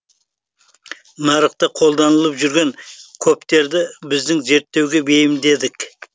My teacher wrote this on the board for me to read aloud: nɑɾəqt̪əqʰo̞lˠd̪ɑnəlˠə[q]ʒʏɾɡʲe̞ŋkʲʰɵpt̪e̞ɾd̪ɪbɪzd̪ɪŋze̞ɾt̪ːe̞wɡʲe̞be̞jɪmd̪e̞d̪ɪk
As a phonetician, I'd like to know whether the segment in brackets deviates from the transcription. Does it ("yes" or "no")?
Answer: yes